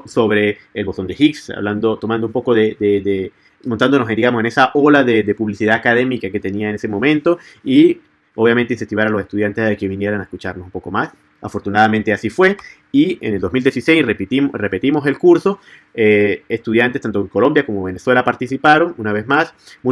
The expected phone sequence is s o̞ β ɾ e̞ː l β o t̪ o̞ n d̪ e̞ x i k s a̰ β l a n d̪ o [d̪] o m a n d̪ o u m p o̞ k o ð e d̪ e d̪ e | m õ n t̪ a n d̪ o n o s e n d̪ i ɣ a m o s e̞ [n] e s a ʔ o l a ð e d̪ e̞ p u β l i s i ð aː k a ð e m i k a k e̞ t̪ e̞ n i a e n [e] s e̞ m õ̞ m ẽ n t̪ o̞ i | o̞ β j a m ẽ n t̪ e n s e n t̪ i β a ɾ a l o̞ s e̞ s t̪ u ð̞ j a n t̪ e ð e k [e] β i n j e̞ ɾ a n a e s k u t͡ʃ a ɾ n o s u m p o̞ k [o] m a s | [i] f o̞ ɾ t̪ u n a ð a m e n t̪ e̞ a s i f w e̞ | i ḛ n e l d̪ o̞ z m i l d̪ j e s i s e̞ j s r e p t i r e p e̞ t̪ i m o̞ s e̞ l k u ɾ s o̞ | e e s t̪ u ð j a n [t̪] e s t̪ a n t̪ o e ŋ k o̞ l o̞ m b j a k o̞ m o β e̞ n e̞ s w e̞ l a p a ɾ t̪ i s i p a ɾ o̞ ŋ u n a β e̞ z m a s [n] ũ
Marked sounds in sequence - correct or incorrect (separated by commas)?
incorrect, correct, correct, correct, correct, incorrect, correct, incorrect